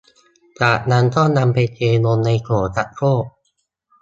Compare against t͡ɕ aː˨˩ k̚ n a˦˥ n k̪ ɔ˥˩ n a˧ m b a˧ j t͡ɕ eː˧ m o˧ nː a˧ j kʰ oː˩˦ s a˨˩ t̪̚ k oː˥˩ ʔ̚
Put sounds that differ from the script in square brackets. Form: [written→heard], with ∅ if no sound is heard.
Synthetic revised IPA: t͡ɕ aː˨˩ k̚ n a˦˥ n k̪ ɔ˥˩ n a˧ m [b→p] a˧ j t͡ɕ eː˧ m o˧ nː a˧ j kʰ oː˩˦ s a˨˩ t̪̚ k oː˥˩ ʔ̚